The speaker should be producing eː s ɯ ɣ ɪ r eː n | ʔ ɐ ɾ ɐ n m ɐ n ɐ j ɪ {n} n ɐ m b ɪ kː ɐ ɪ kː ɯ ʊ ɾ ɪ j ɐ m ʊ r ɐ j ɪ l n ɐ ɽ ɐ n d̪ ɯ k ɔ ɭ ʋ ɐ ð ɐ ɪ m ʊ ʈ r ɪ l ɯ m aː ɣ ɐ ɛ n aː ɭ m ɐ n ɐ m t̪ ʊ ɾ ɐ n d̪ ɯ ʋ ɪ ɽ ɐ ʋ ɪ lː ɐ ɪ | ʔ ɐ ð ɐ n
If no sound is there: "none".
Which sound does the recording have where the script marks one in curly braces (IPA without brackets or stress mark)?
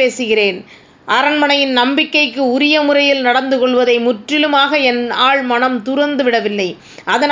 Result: n